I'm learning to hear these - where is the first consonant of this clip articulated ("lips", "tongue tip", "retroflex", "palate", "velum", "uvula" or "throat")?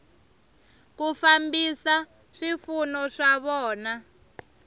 velum